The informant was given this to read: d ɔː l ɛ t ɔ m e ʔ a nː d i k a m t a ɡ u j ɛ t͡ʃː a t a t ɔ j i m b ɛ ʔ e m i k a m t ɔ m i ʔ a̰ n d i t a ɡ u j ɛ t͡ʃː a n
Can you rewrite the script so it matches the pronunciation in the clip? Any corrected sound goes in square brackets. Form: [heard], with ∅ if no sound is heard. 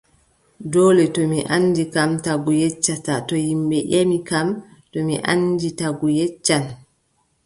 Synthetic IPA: d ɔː l ɛ t ɔ m [i] ʔ a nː d i k a m t a ɡ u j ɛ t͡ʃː a t a t ɔ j i m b ɛ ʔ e m i k a m t ɔ m i ʔ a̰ n d i t a ɡ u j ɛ t͡ʃː a n